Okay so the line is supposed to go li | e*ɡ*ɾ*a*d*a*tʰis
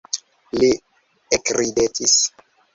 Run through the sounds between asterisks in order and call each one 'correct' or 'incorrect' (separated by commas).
incorrect, incorrect, incorrect